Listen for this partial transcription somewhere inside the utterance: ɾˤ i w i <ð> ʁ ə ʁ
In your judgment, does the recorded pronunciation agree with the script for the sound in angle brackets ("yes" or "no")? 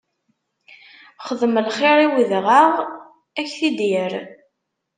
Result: yes